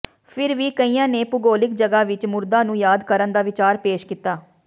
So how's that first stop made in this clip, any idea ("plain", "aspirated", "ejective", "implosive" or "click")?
aspirated